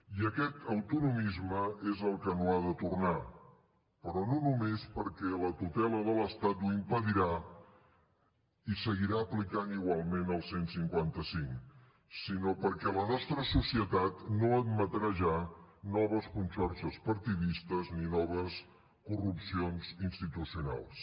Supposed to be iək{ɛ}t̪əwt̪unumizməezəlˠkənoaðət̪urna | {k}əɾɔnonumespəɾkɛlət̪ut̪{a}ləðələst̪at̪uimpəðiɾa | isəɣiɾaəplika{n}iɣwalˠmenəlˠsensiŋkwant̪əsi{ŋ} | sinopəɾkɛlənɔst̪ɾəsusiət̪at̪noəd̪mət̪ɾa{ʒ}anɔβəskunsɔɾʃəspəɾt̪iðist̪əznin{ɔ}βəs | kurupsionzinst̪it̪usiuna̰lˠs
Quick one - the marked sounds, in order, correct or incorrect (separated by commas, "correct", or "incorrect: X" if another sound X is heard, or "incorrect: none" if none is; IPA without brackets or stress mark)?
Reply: correct, incorrect: p, incorrect: ɛ, correct, correct, correct, correct